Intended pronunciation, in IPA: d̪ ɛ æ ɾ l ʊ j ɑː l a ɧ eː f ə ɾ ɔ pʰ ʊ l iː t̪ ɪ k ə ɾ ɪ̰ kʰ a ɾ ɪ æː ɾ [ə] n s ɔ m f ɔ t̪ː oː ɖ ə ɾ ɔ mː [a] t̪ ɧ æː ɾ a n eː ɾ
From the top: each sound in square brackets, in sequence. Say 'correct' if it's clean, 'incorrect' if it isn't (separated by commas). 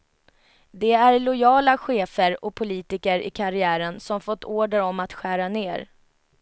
correct, correct